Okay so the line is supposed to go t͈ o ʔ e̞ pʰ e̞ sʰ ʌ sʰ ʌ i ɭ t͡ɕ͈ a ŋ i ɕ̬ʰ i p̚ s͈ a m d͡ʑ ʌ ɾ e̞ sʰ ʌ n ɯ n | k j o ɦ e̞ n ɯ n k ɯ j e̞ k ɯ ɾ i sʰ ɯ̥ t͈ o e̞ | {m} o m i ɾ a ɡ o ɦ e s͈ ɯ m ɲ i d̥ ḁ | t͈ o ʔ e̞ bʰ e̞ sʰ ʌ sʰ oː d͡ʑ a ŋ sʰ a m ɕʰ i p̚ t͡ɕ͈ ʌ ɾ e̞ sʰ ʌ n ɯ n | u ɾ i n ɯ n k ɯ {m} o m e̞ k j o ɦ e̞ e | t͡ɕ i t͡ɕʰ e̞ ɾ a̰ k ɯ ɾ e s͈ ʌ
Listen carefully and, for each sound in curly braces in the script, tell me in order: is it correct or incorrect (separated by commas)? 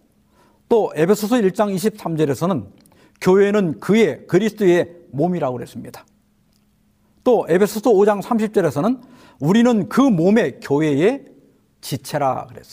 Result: correct, correct